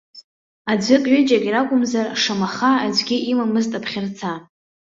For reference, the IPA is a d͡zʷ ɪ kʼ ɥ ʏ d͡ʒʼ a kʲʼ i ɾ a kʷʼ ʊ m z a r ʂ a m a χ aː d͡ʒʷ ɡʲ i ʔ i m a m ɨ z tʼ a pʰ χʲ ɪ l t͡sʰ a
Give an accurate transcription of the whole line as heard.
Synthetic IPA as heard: a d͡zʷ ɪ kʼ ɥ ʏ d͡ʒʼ a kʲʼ i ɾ a kʷʼ ʊ m z a r ʂ a m a χ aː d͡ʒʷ ɡʲ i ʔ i m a m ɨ z tʼ a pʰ χʲ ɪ r t͡sʰ a